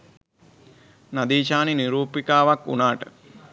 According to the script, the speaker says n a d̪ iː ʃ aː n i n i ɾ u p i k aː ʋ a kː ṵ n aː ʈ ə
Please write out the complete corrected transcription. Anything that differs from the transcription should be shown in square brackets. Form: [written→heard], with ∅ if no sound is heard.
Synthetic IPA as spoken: n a d̪ iː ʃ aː n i n i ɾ [u→uː] p i k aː ʋ a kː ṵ n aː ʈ ə